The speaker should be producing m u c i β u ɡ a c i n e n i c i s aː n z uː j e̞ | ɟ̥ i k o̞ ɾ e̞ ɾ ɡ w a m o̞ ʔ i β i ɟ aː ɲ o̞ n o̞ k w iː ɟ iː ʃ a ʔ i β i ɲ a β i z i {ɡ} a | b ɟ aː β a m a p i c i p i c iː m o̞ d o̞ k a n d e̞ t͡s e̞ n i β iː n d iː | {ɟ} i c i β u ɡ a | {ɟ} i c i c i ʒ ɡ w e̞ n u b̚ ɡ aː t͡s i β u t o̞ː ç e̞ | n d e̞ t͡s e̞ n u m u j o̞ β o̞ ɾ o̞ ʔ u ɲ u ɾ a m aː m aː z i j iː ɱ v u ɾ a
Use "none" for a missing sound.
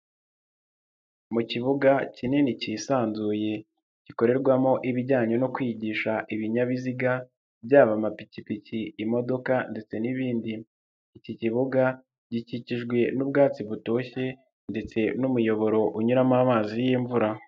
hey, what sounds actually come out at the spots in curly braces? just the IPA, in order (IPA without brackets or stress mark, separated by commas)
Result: ɡ, c, ɟ